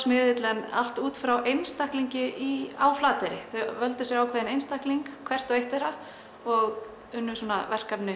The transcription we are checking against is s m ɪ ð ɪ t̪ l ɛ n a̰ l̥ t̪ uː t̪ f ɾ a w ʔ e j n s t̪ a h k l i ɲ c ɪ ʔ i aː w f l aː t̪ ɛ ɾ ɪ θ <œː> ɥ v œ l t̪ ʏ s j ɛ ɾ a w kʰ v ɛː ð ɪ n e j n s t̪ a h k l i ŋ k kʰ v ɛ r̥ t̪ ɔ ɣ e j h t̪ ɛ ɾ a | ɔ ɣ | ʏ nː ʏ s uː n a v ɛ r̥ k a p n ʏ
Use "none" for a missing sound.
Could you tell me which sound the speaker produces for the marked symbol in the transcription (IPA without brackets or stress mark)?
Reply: œ